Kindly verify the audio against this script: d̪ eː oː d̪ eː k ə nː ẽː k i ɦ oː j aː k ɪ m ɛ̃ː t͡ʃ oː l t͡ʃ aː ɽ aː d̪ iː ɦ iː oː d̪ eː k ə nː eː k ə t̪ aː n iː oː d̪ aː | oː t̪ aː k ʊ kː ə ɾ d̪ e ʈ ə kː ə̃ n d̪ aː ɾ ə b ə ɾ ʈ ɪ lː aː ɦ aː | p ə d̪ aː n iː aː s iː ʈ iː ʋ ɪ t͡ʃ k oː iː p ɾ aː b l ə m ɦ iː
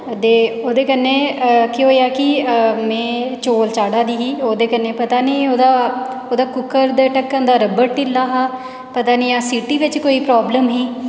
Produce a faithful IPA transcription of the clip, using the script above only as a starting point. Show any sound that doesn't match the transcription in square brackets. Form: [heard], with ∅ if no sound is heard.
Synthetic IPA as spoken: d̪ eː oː d̪ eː k ə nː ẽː k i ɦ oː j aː k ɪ m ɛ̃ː t͡ʃ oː l t͡ʃ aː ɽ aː d̪ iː ɦ iː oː d̪ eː k ə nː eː [p] ə t̪ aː n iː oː d̪ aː | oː [d̪] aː k ʊ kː ə ɾ d̪ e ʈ ə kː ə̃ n d̪ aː ɾ ə b ə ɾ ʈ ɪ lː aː ɦ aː | p ə [t̪] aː n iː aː s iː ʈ iː ʋ ɪ t͡ʃ k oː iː p ɾ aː b l ə m ɦ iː